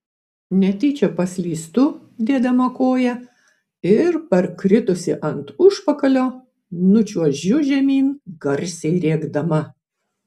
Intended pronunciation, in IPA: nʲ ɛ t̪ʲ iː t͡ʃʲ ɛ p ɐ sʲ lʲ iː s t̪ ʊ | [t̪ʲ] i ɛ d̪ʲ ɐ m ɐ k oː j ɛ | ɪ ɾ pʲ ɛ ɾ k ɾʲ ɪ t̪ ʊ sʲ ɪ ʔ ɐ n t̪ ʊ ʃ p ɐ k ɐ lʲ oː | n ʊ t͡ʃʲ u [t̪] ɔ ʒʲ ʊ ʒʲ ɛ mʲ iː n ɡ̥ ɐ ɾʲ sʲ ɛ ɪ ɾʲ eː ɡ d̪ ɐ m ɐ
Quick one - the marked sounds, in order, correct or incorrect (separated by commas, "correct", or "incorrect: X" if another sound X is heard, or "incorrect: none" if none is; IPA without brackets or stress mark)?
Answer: incorrect: d̪ʲ, incorrect: none